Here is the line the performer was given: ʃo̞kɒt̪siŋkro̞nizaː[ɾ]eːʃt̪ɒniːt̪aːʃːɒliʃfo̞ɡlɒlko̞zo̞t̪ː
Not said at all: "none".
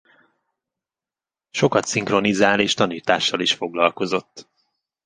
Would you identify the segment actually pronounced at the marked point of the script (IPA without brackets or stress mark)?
l